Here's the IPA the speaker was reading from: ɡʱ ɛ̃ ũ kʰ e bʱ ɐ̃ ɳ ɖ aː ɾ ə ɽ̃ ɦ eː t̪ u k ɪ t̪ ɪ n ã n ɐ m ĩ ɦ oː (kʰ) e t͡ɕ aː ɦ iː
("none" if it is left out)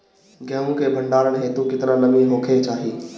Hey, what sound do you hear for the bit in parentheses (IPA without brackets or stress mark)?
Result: kʰ